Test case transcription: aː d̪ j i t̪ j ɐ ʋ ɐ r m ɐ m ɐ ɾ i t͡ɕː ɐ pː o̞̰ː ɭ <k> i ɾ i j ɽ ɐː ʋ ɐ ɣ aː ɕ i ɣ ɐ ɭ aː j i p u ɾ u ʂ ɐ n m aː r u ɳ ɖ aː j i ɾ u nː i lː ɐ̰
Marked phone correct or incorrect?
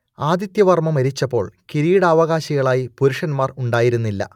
correct